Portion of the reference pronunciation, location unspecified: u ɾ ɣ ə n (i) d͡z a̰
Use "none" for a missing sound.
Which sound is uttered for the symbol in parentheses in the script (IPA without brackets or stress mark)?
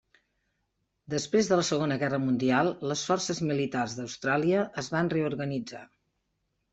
i